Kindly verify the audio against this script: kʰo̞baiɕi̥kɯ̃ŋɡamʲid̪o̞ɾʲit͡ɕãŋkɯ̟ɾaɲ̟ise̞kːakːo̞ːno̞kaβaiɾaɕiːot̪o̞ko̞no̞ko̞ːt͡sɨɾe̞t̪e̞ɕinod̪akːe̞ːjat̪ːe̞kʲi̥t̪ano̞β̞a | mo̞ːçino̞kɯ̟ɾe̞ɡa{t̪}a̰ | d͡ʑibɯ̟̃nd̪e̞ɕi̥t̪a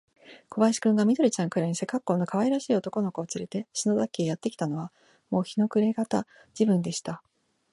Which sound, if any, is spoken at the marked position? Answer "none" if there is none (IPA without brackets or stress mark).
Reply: t̪